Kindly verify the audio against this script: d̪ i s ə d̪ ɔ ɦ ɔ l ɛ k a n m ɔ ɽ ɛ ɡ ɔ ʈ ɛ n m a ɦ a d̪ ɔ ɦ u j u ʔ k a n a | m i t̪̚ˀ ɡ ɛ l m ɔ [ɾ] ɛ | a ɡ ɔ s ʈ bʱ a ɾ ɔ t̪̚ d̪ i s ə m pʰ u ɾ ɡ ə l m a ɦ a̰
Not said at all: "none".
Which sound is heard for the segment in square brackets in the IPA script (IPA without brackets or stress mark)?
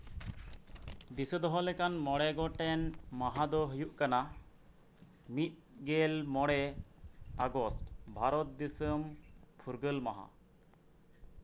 ɽ